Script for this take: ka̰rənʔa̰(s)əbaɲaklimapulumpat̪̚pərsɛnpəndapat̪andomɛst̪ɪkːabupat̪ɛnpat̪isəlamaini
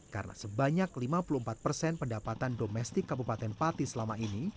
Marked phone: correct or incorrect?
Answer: correct